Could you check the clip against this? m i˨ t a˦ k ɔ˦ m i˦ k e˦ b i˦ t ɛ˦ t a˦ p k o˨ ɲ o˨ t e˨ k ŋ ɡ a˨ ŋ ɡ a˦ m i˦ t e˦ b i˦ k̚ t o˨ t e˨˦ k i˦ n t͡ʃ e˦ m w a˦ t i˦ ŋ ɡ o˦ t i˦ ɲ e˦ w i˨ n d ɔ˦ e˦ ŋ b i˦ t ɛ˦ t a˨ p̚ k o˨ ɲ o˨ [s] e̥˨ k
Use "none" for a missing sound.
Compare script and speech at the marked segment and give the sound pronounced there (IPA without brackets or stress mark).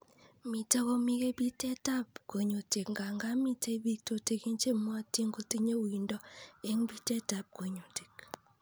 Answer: t